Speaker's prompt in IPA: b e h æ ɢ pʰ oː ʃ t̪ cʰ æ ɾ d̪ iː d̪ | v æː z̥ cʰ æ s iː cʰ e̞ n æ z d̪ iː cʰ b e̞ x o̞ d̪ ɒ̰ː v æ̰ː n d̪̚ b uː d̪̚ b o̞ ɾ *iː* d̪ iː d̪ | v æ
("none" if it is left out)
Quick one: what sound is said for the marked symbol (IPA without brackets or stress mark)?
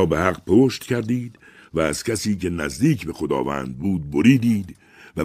iː